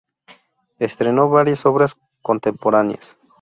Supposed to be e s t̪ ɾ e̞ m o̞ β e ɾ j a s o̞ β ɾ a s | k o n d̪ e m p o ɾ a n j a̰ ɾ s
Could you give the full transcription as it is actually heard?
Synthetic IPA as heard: e s t̪ ɾ e̞ n o̞ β a ɾ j a s o̞ β ɾ a s | k o n t̪ e m p o ɾ a n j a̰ s